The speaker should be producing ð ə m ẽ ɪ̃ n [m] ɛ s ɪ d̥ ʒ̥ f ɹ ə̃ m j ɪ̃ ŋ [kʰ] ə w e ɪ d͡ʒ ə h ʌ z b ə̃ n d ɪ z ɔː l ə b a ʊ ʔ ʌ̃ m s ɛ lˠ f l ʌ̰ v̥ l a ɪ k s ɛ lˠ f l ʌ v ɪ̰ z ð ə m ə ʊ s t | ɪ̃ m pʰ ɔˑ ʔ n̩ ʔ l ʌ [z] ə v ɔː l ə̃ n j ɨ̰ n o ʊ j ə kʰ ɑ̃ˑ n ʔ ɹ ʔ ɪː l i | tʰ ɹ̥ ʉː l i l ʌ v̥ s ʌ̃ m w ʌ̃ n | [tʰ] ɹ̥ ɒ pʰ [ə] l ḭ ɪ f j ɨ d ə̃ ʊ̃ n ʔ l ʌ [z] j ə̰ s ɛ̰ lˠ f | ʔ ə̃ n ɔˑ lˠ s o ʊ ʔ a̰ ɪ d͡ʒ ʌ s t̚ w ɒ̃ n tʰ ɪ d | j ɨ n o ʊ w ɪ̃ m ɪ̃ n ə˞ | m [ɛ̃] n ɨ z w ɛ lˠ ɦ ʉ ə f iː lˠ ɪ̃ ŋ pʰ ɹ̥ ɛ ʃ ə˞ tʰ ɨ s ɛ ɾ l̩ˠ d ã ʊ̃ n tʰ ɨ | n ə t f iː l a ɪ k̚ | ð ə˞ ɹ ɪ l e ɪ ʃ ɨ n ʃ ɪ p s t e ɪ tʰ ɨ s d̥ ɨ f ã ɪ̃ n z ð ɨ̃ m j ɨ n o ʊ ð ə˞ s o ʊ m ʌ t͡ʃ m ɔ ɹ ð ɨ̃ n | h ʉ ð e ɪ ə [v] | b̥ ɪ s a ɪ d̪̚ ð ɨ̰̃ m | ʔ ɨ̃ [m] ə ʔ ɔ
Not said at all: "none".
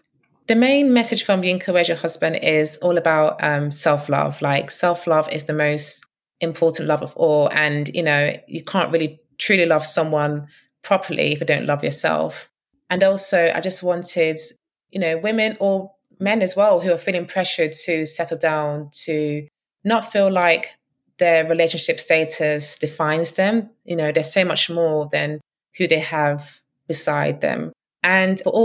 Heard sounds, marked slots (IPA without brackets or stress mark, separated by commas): m, kʰ, v, pʰ, ə, v, ɛ̃, v, n